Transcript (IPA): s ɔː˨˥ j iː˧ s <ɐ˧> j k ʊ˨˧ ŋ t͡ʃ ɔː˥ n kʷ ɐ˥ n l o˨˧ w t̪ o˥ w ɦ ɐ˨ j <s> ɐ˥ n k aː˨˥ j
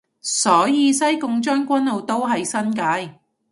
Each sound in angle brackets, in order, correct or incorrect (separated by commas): incorrect, correct